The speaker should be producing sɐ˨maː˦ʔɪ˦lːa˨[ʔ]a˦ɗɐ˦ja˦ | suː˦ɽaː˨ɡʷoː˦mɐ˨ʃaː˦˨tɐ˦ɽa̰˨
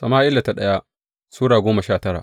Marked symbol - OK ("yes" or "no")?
no